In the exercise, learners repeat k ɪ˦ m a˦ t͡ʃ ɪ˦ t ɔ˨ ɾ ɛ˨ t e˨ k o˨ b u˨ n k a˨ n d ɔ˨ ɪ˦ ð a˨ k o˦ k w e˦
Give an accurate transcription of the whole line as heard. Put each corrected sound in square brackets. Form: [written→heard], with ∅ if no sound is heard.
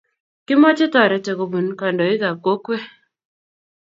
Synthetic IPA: k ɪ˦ m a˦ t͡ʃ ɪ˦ t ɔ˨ ɾ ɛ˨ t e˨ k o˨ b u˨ n k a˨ n d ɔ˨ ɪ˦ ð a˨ k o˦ k w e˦